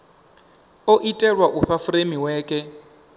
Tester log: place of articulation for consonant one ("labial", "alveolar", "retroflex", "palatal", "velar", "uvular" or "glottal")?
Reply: glottal